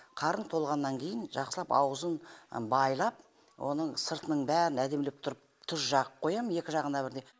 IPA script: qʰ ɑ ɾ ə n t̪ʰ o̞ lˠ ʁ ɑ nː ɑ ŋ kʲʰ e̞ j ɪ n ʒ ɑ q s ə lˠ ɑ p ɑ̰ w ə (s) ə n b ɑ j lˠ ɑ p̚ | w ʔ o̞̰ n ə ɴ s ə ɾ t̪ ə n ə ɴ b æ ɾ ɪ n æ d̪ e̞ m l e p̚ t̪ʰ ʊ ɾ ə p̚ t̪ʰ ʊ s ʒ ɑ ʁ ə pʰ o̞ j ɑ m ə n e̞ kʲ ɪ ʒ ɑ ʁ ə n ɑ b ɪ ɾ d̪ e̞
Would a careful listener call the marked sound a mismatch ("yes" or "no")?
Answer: yes